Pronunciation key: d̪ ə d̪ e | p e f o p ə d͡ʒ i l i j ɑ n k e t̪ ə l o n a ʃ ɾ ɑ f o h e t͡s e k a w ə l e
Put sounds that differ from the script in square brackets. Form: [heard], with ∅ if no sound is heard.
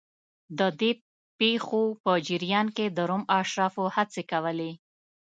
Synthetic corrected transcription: d̪ ə d̪ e | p e [x] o p ə d͡ʒ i [ɾ] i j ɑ n k e [d̪] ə [ɾ] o [m] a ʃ ɾ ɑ f o h [a] t͡s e k a w ə l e